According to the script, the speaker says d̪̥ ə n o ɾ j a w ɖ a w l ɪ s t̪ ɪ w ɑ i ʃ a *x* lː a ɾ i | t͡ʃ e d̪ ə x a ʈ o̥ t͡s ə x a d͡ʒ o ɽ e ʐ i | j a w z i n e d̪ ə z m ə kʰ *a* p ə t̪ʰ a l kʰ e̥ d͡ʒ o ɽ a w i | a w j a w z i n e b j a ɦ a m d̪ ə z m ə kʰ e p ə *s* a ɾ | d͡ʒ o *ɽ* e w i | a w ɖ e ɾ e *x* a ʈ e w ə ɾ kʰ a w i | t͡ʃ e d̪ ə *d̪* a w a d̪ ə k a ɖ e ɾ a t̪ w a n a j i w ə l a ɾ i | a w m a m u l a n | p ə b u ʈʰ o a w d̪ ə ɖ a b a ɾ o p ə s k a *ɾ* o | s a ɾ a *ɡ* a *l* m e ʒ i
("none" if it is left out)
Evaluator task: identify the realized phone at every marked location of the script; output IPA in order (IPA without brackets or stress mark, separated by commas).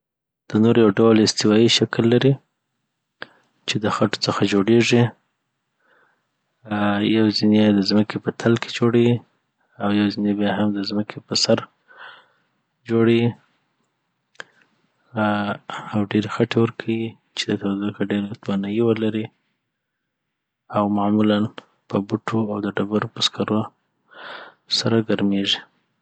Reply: k, e, s, ɽ, x, t̪, ɾ, ɡ, ɾ